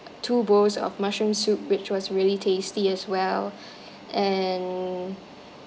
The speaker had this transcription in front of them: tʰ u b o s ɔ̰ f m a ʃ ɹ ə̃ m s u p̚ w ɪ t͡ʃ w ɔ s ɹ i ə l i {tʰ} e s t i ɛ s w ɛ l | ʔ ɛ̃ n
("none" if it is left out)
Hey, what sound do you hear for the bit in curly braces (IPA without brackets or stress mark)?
tʰ